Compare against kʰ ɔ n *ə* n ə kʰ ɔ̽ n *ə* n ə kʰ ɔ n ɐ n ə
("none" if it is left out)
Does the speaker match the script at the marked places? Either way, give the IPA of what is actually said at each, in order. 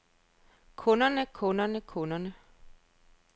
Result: ɐ, ɐ

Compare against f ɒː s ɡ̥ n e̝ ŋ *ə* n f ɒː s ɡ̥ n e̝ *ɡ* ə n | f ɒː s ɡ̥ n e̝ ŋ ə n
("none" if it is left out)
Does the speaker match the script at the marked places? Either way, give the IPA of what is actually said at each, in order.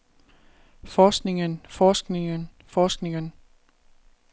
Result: ə, ŋ

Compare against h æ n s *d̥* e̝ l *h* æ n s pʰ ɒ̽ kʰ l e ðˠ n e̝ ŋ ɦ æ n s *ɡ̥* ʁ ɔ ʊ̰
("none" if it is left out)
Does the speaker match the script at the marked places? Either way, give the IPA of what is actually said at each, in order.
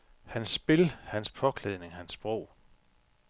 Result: b̥, h, b̥

